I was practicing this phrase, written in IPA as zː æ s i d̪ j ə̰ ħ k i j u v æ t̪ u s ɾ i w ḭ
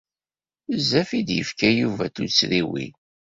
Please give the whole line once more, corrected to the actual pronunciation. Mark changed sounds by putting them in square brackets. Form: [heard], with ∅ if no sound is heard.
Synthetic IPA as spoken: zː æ [f] i d̪ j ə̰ [f] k [æ] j u v æ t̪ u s ɾ i w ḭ